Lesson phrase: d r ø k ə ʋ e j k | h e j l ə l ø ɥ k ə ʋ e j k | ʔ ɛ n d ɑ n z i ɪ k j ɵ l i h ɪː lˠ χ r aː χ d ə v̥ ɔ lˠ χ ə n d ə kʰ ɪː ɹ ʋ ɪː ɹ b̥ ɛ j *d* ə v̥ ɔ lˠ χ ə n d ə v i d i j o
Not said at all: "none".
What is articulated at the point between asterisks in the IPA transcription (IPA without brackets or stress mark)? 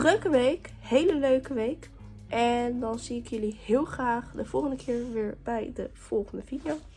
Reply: d